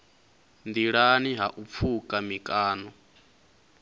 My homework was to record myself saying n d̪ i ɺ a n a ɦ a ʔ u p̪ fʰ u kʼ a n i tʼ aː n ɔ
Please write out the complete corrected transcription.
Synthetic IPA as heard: n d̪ i ɺ a n i ɦ a ʔ u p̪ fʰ u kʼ a m i kʼ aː n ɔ